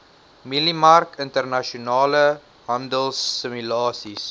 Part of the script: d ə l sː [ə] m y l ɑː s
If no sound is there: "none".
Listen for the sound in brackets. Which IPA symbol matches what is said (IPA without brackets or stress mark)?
ə